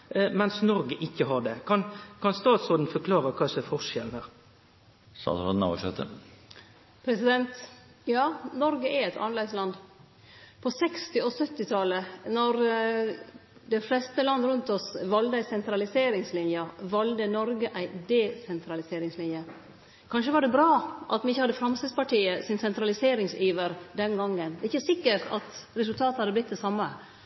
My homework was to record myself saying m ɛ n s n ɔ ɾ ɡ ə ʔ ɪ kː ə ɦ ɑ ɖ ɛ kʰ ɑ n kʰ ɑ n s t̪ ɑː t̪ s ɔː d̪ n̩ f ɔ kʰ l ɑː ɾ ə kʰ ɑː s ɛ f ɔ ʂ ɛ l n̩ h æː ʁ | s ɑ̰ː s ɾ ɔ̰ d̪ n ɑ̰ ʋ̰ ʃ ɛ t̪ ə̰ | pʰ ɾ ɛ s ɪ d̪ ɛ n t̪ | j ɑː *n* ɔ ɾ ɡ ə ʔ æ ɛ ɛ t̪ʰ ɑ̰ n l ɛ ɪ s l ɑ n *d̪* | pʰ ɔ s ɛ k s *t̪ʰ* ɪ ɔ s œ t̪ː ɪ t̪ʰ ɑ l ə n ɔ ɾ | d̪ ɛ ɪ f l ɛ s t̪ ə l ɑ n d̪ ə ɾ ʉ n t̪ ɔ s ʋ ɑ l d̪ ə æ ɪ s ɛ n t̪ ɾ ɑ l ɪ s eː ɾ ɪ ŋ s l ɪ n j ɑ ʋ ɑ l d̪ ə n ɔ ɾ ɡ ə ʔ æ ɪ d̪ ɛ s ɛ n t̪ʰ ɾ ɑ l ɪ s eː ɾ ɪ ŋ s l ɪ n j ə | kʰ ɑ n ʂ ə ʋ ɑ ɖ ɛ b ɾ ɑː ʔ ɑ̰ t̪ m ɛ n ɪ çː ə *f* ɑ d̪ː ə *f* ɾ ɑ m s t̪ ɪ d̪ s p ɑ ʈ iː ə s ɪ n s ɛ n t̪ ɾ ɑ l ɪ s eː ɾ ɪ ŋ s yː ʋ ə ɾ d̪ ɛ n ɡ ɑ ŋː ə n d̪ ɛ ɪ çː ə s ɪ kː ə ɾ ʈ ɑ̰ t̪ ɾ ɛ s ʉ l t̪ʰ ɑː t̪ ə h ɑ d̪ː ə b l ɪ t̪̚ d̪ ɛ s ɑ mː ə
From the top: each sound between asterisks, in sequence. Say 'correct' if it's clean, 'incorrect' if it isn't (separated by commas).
correct, correct, incorrect, incorrect, correct